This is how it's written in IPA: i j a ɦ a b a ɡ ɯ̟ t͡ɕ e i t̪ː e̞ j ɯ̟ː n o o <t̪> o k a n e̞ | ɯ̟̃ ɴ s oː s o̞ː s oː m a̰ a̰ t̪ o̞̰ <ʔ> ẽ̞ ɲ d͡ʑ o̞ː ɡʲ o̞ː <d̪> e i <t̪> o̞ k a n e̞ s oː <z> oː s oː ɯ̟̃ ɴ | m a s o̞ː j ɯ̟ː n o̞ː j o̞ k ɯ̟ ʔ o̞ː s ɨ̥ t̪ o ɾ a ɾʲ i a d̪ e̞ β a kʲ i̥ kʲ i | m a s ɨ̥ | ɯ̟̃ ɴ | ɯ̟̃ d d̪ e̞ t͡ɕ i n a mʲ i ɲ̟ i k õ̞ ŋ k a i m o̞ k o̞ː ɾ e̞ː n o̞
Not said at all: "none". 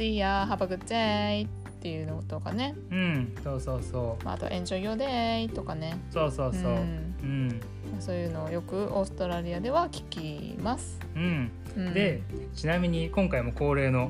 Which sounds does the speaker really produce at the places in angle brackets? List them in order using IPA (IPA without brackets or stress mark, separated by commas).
t̪, ʔ, d̪, t̪, s